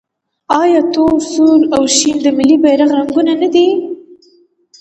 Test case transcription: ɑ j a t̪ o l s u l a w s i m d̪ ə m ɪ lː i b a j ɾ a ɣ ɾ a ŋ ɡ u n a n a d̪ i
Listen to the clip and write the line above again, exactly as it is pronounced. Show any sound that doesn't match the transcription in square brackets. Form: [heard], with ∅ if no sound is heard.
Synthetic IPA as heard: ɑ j [ɑ] t̪ o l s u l a w [ʃ] i m d̪ ə m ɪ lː i b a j ɾ a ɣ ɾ a ŋ ɡ u n a n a d̪ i